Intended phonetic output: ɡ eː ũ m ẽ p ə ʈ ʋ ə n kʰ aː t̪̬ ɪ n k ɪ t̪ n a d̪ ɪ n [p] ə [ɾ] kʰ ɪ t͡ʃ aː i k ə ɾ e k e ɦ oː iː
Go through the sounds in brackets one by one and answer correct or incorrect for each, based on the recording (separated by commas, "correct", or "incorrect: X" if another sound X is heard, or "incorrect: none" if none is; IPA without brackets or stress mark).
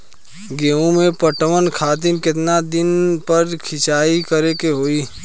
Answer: correct, correct